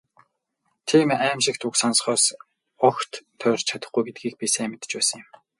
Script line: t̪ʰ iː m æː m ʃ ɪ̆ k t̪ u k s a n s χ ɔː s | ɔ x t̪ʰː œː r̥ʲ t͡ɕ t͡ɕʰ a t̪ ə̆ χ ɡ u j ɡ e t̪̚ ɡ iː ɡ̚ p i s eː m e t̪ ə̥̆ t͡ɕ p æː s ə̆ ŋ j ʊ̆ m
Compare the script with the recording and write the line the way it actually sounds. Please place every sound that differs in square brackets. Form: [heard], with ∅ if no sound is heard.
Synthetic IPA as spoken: t̪ʰ iː m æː m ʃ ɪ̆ k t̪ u k s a n s χ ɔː s | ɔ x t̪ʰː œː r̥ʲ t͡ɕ t͡ɕʰ a t̪ ə̆ χ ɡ u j ɡ e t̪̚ ɡ iː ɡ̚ p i s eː m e t̪ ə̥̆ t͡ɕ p æː s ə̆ ŋ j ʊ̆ m